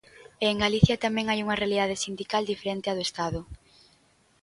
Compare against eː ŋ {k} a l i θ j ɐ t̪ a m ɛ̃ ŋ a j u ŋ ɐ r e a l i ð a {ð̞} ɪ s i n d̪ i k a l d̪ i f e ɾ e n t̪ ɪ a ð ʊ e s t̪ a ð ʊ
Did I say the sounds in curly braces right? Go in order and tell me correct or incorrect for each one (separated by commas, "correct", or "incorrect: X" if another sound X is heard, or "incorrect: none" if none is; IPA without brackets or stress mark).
incorrect: ɡ, correct